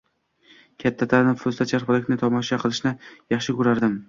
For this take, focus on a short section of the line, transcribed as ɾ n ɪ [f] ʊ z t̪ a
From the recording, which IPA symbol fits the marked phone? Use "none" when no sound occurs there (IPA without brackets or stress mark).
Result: f